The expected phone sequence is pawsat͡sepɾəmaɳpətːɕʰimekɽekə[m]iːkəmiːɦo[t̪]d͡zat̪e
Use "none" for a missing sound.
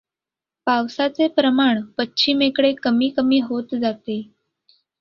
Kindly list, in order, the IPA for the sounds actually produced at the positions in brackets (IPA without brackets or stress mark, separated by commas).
m, t̪